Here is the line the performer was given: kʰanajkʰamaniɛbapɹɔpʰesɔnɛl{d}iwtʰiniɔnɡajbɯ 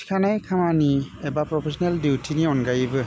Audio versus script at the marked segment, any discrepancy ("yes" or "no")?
no